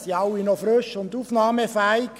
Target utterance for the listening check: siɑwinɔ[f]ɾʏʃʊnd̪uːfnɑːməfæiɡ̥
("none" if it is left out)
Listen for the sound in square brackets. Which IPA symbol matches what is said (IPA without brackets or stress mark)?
f